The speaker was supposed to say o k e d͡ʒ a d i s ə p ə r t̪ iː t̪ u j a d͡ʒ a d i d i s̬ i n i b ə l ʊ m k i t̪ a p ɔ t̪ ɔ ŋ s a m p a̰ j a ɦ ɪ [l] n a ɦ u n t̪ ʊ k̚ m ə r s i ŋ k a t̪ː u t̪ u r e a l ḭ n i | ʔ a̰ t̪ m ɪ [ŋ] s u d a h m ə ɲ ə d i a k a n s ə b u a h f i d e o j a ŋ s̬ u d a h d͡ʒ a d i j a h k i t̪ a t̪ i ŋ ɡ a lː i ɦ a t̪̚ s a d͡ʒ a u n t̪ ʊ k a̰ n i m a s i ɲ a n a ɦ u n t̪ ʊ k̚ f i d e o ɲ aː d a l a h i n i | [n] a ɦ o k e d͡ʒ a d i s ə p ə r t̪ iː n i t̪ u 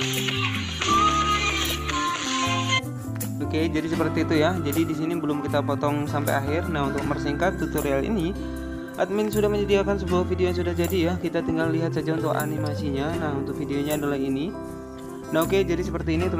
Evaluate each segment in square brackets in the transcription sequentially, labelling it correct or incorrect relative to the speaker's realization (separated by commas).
incorrect, incorrect, correct